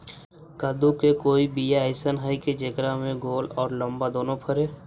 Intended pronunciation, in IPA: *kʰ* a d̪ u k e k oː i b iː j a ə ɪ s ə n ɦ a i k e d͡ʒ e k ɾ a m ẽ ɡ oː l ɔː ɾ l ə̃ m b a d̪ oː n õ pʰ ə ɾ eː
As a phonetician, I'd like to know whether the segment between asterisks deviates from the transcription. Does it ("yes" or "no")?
yes